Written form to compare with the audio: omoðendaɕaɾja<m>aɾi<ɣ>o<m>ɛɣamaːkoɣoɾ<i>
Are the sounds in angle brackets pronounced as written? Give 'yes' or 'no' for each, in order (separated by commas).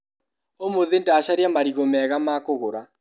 yes, yes, yes, no